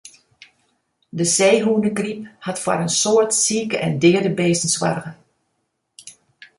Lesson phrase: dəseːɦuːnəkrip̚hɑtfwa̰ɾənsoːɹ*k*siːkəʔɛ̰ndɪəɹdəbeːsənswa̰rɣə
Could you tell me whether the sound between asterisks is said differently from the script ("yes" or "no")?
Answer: yes